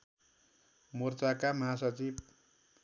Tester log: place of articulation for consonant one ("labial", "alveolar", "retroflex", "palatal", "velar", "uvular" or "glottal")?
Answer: labial